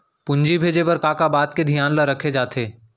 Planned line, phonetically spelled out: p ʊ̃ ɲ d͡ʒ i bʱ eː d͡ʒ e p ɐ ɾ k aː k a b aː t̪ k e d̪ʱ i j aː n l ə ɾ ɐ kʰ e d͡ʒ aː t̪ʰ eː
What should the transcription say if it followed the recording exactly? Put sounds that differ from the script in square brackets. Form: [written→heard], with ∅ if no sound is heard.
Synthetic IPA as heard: p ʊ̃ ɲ d͡ʒ i bʱ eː d͡ʒ e p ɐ ɾ k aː k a b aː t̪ k e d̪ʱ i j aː n l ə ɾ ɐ kʰ e d͡ʒ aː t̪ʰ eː